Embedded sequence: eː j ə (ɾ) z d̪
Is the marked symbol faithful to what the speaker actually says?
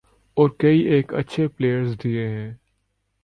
yes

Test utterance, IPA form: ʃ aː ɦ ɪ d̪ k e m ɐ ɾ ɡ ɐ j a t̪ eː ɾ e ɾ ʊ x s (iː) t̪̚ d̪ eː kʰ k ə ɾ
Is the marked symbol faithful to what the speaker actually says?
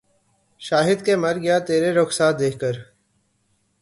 no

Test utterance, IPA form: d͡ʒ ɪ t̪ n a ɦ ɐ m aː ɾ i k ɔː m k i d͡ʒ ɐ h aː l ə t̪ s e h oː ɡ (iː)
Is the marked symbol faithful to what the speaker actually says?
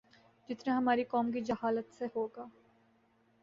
no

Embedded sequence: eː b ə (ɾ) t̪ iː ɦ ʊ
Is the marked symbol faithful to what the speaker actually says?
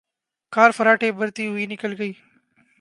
yes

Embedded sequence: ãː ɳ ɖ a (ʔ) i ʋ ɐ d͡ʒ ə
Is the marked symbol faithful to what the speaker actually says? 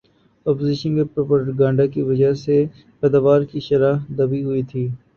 no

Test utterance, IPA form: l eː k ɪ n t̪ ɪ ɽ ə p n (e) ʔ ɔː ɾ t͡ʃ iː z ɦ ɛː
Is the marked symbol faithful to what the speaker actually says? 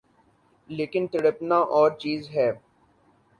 no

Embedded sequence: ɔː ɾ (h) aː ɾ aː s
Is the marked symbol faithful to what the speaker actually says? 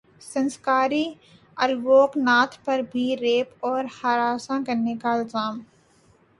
yes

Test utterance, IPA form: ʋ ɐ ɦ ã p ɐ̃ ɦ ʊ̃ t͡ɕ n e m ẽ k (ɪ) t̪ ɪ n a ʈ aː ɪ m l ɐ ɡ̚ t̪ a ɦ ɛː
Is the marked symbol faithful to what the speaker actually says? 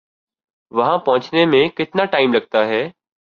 yes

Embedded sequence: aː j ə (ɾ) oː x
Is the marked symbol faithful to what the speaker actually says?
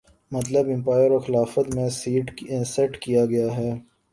yes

